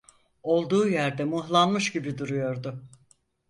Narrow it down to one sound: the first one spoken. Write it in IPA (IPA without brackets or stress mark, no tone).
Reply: o̞